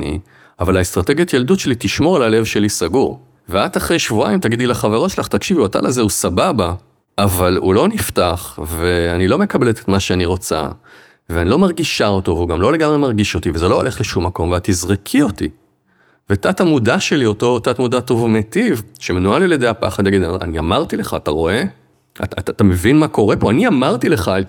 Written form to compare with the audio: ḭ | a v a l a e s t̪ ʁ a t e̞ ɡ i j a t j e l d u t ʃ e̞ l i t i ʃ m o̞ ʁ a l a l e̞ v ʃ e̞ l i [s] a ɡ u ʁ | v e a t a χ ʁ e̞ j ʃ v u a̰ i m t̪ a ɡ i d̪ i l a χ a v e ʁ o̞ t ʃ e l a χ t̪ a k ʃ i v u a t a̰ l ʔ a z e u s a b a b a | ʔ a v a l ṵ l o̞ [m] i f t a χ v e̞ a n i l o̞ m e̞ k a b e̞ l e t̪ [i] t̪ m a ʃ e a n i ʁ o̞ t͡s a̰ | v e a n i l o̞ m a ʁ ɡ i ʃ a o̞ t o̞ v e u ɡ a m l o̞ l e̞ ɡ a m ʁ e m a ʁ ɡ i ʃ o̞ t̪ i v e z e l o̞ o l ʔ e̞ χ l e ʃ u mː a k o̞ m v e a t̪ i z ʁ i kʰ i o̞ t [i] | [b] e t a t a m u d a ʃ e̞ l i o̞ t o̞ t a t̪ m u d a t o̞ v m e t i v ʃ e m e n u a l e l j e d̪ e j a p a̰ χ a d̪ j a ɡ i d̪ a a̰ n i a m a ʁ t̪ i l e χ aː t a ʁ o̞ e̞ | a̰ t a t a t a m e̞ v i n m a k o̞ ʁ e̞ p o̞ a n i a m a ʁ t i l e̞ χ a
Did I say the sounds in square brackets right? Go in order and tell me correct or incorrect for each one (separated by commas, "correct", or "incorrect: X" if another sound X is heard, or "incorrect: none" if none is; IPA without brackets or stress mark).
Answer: correct, incorrect: n, incorrect: e, correct, incorrect: v